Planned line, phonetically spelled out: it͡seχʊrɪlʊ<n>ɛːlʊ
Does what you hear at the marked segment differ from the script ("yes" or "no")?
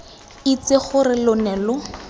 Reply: no